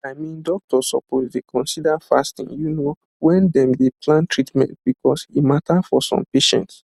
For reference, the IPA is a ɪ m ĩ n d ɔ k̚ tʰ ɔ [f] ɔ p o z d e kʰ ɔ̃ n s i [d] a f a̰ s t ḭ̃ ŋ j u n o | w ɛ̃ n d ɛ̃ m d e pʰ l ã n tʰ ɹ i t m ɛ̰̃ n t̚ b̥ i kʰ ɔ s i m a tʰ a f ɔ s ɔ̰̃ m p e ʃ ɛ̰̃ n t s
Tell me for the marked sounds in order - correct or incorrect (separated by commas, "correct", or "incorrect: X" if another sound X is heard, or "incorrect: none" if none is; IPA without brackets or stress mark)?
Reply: incorrect: s, correct